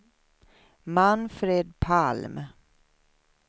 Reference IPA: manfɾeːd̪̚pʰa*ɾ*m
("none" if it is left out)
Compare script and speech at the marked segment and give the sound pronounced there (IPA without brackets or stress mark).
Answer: l